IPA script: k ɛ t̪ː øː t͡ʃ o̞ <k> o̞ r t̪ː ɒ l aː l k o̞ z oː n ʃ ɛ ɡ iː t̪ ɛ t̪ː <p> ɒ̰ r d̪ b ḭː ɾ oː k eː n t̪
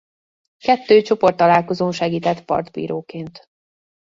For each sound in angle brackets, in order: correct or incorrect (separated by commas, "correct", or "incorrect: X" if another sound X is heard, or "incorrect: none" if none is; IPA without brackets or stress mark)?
incorrect: p, correct